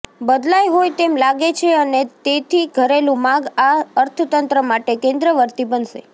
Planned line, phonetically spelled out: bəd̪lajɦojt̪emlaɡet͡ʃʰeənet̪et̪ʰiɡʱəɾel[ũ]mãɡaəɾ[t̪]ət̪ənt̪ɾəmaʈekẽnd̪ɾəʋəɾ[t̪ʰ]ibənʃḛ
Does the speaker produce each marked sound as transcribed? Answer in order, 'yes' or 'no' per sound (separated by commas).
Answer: yes, no, no